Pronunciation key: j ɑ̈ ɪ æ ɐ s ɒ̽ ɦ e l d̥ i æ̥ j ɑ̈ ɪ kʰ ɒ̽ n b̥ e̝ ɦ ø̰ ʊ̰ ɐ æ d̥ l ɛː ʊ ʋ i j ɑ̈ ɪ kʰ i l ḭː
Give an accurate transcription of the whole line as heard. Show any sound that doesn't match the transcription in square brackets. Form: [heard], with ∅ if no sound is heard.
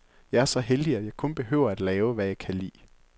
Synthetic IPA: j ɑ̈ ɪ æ ɐ s ɒ̽ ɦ e l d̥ i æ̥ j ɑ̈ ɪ kʰ [ɔ̽] n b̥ e̝ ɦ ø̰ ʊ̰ ɐ æ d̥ l ɛː ʊ ʋ [æ] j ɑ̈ ɪ kʰ [æ] l ḭː